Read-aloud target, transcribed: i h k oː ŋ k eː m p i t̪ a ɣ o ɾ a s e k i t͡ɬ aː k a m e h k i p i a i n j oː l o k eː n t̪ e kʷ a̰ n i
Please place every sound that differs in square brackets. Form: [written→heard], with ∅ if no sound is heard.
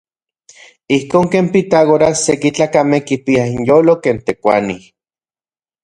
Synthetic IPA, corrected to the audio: i h k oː ŋ k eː m p i t̪ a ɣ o ɾ a s e k i t͡ɬ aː k a m e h k i p i a i n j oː l o k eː n t̪ e kʷ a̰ n i